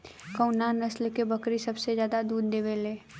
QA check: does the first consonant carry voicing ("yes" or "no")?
no